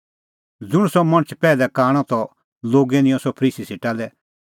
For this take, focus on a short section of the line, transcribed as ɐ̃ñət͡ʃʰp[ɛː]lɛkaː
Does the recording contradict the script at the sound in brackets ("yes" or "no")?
no